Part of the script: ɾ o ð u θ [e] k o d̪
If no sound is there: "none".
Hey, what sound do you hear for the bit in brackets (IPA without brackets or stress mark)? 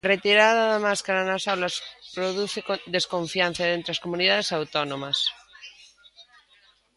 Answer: e